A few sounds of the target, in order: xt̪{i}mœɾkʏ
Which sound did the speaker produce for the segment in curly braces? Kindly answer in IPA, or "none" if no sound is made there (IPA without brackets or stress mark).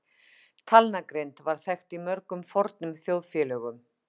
i